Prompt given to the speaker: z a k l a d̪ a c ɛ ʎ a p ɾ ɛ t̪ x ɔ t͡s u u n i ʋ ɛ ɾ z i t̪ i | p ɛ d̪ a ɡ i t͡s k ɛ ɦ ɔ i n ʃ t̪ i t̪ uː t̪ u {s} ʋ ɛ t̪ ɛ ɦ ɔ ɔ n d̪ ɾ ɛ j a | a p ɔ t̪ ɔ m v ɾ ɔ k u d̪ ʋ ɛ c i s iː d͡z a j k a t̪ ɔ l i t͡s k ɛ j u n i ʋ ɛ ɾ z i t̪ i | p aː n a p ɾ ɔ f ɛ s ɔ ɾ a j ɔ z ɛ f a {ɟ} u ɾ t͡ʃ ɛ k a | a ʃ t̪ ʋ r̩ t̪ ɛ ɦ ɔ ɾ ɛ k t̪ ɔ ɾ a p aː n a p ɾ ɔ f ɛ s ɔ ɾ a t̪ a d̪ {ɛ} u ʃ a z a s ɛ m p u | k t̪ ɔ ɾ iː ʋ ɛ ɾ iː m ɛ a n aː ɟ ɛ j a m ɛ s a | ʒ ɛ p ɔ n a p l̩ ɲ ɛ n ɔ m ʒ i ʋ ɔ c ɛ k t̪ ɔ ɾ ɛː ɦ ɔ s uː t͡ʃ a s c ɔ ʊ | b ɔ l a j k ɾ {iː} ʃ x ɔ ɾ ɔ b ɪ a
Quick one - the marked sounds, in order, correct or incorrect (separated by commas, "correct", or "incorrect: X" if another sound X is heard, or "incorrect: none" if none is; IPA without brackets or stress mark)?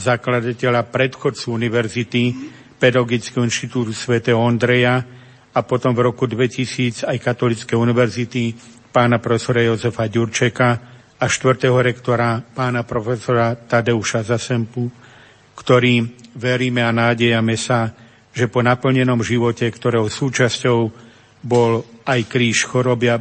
correct, correct, correct, correct